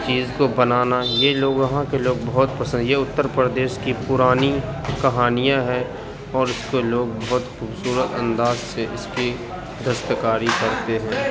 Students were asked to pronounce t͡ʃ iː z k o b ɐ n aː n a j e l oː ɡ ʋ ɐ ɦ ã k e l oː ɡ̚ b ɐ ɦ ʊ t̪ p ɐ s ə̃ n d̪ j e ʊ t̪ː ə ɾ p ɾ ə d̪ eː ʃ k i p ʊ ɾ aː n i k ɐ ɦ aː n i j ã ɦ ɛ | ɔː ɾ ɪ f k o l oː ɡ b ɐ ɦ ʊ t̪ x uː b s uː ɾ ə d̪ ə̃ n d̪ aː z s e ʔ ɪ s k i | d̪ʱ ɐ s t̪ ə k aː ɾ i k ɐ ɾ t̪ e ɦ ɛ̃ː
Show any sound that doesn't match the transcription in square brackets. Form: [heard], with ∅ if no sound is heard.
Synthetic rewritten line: t͡ʃ iː z k o b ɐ n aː n a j e l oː ɡ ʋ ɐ ɦ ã k e l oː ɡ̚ b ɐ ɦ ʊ t̪ p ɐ s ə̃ n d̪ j e ʊ t̪ː ə ɾ p ɾ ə d̪ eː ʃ k i p ʊ ɾ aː n i k ɐ ɦ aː n i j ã ɦ ɛ | ɔː ɾ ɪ [s] k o l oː ɡ b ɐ ɦ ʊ t̪ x uː b s uː ɾ ə [t̪] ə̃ n d̪ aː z s e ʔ ɪ s k i | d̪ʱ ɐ s t̪ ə k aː ɾ i k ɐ ɾ t̪ e ɦ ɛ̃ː